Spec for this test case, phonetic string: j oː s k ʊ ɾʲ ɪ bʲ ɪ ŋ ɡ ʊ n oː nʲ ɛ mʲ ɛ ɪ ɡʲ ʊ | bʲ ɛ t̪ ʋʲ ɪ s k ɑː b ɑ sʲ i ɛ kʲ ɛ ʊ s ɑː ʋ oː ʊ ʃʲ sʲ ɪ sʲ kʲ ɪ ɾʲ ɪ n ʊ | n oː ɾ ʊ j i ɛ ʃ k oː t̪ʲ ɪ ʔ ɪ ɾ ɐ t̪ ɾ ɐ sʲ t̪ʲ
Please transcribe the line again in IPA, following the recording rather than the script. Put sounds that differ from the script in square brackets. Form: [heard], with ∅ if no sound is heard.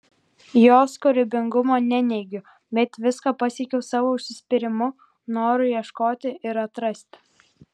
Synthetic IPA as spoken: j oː s k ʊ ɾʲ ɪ bʲ ɪ ŋ ɡ ʊ [m] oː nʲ ɛ [nʲ] ɛ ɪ ɡʲ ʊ | bʲ ɛ t̪ ʋʲ ɪ s k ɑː [p] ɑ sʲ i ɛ kʲ ɛ ʊ s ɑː ʋ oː ʊ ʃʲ sʲ ɪ sʲ [pʲ] ɪ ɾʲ ɪ [m] ʊ | n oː ɾ ʊ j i ɛ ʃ k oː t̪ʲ ɪ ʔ ɪ ɾ ɐ t̪ ɾ ɐ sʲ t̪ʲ